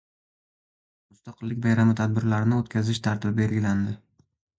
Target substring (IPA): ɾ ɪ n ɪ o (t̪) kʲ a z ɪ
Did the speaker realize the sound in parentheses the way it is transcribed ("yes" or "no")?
yes